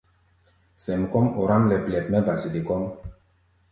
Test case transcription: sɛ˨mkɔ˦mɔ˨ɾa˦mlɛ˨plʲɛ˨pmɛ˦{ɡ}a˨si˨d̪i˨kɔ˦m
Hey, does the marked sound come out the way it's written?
no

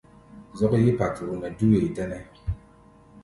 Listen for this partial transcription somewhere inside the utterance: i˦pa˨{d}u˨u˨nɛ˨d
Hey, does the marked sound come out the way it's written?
no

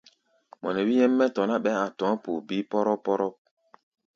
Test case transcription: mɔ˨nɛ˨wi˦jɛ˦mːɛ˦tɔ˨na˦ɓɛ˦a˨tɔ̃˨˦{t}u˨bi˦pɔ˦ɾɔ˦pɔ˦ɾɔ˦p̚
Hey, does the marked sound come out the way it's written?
no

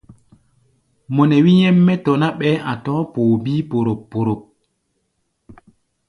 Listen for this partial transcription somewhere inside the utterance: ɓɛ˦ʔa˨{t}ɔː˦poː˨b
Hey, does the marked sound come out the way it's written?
yes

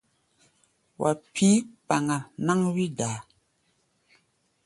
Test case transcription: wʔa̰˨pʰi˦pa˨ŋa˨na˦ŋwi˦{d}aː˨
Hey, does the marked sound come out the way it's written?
yes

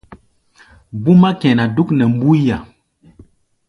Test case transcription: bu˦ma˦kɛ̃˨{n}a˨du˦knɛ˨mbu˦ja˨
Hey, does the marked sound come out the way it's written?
yes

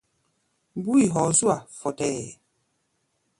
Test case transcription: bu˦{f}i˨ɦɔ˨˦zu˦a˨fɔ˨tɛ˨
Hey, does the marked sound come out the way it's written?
no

